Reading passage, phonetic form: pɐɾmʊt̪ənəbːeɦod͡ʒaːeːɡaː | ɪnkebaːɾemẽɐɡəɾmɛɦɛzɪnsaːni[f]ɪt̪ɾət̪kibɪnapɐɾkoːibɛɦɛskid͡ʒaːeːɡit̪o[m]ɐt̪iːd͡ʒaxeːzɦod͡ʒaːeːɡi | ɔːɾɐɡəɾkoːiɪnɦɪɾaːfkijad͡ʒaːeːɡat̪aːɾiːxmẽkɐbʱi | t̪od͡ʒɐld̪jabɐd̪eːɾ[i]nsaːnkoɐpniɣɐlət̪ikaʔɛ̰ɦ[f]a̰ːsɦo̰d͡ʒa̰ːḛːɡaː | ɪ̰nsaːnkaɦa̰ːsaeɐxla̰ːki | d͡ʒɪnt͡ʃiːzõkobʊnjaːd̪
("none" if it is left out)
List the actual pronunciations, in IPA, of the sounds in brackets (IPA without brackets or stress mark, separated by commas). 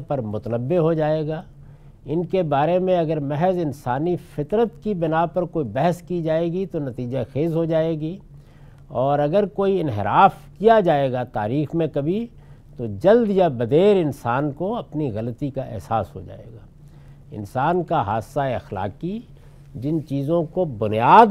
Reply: f, n, ɪ, s